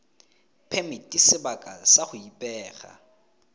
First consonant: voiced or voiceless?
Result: voiceless